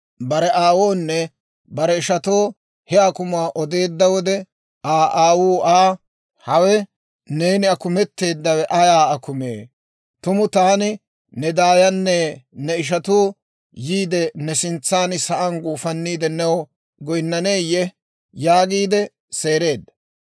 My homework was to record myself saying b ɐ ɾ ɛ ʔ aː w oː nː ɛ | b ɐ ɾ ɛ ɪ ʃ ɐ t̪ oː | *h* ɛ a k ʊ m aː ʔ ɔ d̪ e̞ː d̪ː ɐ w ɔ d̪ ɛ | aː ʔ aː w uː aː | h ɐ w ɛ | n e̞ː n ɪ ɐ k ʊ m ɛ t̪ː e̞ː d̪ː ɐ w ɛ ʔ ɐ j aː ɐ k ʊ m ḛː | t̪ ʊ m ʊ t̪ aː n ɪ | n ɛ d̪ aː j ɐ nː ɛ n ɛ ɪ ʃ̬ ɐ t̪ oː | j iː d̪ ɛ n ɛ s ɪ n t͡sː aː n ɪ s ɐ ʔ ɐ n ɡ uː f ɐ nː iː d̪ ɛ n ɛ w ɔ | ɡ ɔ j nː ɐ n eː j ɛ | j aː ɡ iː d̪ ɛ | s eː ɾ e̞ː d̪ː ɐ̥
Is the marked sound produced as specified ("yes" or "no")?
yes